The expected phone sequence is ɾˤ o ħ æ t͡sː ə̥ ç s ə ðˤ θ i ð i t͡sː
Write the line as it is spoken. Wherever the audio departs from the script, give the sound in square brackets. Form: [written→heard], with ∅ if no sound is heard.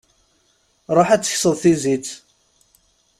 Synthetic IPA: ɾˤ o ħ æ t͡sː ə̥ ç s ə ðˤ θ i [ð→z] i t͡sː